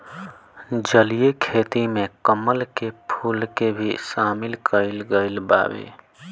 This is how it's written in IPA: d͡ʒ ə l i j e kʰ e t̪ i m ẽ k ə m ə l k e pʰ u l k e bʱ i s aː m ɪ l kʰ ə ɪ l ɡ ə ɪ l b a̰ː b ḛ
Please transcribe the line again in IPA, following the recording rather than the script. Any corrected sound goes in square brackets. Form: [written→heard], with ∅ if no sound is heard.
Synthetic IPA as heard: d͡ʒ ə l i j e kʰ e t̪ i m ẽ k ə m ə l k e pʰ u l k e bʱ i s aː m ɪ l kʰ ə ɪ l ɡ ə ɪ l b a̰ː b ḛ